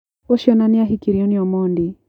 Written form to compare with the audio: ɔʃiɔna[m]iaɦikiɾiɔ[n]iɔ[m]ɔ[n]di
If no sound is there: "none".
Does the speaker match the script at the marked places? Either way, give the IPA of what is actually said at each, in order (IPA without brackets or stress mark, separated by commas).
n, n, m, n